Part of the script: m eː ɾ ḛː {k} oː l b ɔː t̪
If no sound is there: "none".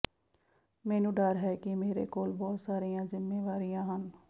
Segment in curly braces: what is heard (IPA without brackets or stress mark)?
k